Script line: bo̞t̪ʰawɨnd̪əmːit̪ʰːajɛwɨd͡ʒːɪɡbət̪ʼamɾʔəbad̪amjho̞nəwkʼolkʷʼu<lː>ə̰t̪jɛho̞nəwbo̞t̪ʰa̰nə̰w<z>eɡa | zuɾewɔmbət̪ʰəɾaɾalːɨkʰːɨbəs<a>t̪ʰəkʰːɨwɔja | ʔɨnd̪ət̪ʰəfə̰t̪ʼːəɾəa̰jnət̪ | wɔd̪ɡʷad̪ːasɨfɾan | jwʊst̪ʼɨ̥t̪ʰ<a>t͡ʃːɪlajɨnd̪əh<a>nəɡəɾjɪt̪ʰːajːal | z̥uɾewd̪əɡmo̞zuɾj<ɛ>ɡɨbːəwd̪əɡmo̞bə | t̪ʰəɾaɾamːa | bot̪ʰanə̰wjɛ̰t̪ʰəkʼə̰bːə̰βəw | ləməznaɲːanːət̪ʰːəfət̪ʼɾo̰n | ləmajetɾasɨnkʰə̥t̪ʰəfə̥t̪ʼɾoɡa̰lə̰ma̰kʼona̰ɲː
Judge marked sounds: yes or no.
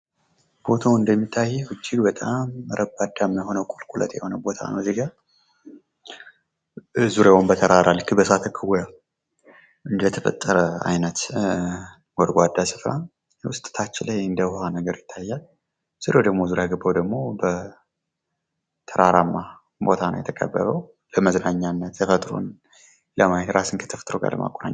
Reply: no, yes, yes, yes, yes, no

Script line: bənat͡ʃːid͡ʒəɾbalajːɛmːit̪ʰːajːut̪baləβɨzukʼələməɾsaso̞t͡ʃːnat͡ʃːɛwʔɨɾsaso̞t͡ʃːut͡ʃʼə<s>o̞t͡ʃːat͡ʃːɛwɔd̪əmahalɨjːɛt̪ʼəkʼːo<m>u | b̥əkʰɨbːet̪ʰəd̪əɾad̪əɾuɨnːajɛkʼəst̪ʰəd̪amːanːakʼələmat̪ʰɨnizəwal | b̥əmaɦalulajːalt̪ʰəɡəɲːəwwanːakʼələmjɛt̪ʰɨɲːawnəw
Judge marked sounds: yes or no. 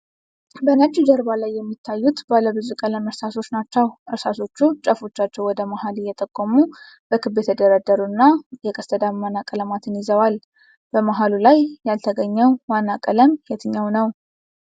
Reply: no, yes

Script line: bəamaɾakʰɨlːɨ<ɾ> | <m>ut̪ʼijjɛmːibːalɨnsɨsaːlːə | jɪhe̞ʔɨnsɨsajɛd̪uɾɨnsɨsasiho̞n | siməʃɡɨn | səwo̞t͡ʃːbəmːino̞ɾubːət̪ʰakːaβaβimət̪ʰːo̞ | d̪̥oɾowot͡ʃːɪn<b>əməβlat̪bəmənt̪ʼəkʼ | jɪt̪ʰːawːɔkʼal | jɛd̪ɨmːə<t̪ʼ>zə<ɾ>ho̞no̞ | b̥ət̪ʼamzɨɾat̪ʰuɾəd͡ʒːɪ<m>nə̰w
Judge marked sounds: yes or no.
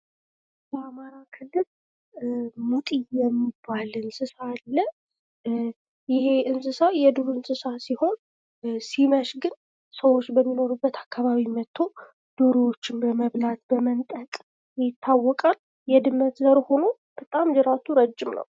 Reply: no, yes, yes, no, yes, yes

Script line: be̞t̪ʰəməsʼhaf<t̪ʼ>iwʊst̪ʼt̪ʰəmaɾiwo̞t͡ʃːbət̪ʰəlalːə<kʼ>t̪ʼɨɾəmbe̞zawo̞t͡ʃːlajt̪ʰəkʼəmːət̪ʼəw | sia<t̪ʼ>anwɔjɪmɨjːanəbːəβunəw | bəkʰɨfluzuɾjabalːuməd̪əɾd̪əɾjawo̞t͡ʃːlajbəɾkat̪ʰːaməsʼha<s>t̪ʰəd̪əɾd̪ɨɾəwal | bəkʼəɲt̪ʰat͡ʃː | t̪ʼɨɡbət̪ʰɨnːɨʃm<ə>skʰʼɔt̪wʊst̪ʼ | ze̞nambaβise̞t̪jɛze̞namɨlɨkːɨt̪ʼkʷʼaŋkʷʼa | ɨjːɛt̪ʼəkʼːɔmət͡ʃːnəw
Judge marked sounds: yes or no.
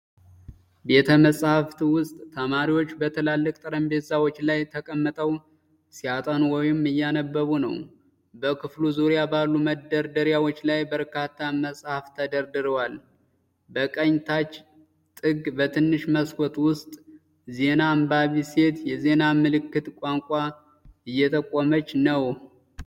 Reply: no, yes, yes, no, yes

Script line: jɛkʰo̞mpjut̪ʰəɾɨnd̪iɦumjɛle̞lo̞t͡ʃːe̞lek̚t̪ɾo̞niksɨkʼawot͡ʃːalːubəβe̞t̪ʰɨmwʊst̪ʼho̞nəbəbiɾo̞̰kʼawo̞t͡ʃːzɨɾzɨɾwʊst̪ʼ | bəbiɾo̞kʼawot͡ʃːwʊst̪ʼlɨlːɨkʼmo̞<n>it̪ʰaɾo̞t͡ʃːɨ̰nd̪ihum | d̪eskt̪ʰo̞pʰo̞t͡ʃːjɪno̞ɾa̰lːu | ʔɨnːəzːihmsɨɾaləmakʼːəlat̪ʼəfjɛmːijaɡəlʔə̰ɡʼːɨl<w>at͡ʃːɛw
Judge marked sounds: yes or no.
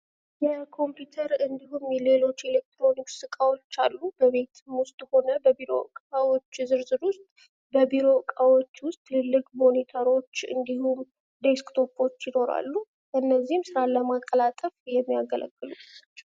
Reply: yes, no

